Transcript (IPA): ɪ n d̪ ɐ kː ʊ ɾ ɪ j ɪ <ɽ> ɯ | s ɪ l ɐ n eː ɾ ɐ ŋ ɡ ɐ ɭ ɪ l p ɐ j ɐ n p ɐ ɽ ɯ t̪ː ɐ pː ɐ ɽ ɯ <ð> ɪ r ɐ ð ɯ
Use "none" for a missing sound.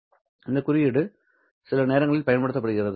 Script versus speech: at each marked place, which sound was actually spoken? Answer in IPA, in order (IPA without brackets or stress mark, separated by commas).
ɽ, ɣ